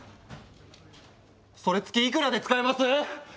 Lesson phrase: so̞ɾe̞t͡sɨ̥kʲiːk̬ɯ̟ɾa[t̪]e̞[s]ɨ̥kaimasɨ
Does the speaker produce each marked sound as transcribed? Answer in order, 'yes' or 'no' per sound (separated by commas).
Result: no, no